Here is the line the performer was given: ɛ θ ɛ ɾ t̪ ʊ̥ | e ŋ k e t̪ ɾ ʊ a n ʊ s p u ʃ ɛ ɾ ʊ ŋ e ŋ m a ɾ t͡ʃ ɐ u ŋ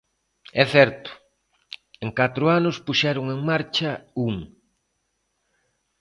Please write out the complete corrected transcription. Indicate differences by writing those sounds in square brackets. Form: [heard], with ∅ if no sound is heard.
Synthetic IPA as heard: ɛ θ ɛ ɾ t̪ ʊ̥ | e ŋ k [a] t̪ ɾ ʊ a n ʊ s p u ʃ ɛ ɾ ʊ ŋ e ŋ m a ɾ t͡ʃ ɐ u ŋ